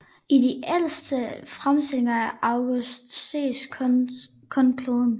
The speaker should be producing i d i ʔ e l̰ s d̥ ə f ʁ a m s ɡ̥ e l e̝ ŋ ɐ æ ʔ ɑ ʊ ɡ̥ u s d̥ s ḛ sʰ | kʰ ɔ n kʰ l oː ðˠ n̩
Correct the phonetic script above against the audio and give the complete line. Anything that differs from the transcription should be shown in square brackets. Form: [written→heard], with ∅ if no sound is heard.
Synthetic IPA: i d i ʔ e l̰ s d̥ ə f ʁ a m s [ɡ̥→d̥] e l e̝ ŋ ɐ æ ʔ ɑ ʊ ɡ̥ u s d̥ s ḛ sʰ | kʰ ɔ n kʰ l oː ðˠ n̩